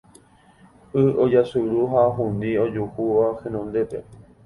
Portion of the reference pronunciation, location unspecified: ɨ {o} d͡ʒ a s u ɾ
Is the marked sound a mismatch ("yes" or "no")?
no